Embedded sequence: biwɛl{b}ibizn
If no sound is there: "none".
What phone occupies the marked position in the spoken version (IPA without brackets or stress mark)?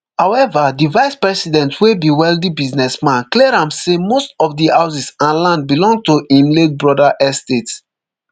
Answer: d